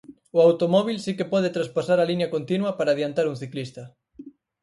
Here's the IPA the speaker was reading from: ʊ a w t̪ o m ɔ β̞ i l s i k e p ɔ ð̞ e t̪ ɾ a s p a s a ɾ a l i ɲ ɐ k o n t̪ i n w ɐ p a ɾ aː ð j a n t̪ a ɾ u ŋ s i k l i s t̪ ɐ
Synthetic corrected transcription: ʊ a w t̪ o m ɔ β̞ i l s i k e p ɔ ð̞ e t̪ ɾ a s p a s a ɾ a l i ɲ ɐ k o n t̪ i n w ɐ p a ɾ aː ð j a n t̪ a ɾ u ŋ θ i k l i s t̪ ɐ